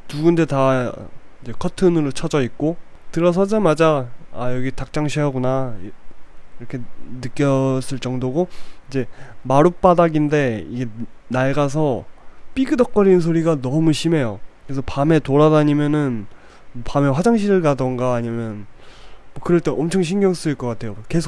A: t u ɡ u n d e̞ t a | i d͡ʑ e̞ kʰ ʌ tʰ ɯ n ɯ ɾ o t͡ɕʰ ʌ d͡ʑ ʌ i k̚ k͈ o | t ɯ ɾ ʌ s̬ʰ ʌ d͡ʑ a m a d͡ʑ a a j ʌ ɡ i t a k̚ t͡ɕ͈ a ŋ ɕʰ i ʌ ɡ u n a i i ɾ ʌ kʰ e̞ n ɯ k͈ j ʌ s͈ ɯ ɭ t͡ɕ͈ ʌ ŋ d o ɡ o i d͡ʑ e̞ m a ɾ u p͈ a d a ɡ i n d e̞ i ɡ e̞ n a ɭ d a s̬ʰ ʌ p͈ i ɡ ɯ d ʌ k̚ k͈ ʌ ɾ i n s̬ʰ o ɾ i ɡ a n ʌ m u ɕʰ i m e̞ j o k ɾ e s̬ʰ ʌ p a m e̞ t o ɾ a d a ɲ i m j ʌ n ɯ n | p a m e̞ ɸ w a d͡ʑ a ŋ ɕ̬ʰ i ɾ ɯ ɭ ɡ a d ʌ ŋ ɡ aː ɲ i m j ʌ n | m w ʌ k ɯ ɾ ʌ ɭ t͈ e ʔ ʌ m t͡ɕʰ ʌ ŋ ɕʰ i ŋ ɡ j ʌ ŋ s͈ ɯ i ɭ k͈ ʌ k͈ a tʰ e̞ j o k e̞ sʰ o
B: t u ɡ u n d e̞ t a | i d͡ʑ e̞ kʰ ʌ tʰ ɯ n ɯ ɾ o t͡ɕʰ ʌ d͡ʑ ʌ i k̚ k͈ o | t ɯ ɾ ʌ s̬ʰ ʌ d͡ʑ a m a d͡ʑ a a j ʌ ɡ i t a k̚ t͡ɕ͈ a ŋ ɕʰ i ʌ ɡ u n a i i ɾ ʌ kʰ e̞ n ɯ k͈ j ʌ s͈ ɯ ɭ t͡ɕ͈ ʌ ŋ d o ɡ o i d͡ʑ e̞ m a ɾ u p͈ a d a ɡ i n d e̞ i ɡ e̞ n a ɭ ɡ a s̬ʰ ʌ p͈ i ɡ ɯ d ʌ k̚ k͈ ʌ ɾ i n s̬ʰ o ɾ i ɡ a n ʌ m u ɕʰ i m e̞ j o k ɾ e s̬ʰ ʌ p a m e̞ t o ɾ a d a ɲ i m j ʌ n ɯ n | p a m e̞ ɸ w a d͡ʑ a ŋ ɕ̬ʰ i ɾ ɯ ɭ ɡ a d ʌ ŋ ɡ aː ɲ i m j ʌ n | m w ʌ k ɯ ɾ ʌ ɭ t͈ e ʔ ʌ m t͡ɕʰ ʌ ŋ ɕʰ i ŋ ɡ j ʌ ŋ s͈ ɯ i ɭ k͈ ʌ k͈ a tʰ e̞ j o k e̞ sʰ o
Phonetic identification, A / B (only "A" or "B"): B